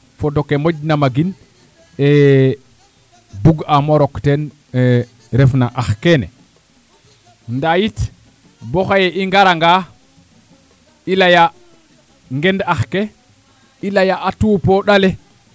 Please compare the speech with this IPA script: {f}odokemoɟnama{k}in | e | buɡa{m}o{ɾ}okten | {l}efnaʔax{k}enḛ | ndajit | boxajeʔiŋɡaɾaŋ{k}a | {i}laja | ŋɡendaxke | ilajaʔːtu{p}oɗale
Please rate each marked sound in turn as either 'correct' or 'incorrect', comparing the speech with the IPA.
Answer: correct, incorrect, correct, correct, incorrect, correct, incorrect, correct, correct

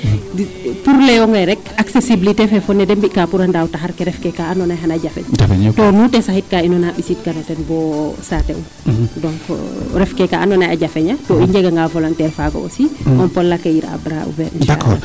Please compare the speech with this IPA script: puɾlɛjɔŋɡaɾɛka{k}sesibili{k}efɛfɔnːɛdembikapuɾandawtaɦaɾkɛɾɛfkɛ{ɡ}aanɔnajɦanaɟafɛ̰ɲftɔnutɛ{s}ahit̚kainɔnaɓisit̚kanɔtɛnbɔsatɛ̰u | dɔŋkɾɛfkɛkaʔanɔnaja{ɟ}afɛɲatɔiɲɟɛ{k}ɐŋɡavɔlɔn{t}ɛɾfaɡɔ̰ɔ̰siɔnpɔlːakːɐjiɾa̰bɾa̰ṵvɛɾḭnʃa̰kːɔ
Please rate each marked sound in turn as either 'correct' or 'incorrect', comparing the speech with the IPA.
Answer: correct, incorrect, incorrect, correct, correct, incorrect, correct

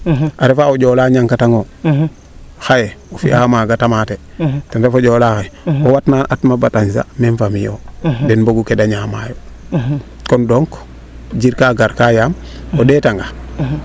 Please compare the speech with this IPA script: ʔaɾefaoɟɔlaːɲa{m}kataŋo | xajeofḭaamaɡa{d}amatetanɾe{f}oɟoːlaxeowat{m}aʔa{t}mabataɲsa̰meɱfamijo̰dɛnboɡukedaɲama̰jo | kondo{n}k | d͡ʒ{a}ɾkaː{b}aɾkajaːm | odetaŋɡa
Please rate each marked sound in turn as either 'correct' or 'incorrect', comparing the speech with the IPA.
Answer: incorrect, incorrect, correct, incorrect, correct, incorrect, incorrect, incorrect

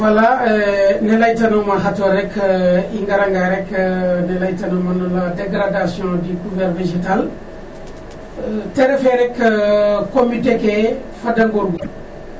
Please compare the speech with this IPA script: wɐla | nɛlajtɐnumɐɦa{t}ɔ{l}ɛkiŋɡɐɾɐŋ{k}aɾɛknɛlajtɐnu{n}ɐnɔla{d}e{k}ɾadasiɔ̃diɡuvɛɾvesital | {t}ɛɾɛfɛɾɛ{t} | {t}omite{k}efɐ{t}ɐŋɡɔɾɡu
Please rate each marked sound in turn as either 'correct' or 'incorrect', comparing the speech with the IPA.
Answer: correct, incorrect, incorrect, incorrect, correct, incorrect, correct, incorrect, incorrect, correct, incorrect

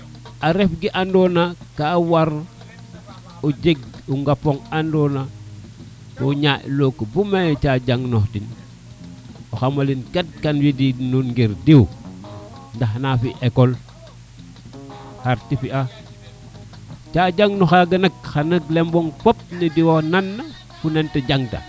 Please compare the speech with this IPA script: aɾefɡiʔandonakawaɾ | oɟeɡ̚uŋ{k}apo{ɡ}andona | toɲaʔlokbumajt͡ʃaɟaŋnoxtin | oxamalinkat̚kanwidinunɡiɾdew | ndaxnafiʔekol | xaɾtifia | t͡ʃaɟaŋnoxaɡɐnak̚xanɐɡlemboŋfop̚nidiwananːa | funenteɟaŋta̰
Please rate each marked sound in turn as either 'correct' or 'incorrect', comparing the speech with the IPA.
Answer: incorrect, incorrect

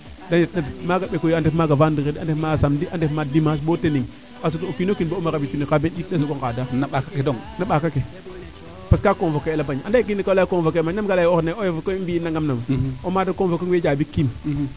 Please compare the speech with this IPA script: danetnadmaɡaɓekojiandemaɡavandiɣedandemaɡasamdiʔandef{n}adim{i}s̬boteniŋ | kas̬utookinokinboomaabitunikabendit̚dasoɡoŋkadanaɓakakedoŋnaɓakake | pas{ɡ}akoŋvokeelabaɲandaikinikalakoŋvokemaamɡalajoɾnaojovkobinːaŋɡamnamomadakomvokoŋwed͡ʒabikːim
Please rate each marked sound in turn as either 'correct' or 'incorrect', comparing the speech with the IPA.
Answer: incorrect, incorrect, incorrect

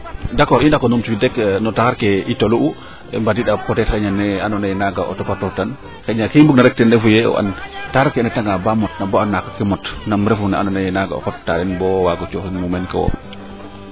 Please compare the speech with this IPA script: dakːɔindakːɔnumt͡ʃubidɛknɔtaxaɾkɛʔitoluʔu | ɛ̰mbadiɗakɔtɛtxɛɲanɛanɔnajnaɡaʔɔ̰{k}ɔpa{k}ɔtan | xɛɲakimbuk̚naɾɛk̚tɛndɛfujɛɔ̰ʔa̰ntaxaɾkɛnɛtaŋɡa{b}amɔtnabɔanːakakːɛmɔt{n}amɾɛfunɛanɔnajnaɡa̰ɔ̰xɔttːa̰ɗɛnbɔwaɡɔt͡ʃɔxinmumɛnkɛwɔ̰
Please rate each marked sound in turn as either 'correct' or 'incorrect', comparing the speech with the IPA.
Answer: incorrect, incorrect, correct, correct

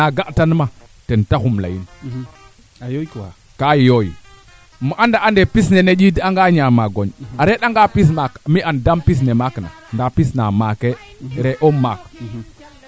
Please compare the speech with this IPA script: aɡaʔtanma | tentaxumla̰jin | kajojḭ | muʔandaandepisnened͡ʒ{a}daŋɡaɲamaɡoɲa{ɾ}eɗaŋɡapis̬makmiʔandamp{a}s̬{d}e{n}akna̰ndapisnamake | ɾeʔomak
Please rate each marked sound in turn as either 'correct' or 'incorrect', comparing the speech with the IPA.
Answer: incorrect, correct, incorrect, incorrect, incorrect

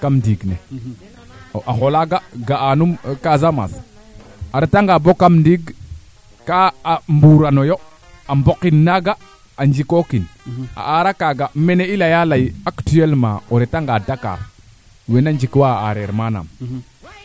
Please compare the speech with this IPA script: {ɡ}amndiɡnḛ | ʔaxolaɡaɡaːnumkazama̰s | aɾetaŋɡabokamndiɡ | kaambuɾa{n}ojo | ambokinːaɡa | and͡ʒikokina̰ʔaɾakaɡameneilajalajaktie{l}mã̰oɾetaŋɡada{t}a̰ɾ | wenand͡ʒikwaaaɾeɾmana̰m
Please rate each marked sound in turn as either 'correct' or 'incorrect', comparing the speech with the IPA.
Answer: incorrect, correct, correct, incorrect

